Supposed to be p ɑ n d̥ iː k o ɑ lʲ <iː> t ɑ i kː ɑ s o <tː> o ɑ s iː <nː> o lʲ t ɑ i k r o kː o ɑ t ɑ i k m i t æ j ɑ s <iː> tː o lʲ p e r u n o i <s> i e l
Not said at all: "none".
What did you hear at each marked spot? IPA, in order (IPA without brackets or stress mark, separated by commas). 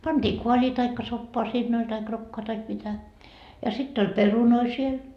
iː, pː, nː, i, s